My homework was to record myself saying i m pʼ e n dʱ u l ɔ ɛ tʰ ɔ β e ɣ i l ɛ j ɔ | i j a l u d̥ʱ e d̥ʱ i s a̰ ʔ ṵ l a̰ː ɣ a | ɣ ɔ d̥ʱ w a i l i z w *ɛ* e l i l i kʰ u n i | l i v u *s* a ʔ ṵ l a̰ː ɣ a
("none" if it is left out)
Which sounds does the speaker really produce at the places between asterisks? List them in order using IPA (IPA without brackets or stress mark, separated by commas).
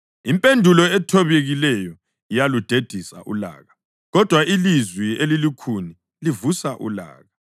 i, s